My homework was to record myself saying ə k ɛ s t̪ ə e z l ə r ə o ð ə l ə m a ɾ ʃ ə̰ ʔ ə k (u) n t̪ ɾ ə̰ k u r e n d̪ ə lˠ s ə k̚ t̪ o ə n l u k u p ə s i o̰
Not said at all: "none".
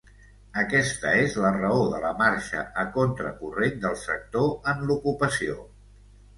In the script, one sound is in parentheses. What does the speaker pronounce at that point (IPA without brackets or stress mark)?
o